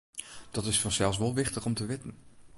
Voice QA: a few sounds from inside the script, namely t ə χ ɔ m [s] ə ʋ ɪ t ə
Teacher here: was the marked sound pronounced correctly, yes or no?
no